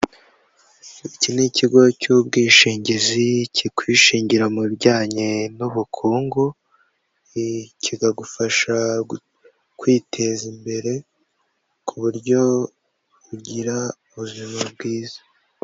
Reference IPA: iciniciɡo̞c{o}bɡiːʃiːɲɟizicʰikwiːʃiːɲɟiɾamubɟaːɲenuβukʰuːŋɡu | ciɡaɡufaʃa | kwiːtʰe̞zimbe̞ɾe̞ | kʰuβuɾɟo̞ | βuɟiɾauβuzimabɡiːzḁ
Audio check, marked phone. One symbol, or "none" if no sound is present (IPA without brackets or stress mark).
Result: u